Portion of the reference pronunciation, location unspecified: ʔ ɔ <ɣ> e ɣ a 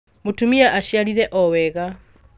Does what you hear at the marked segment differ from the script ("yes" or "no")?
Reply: yes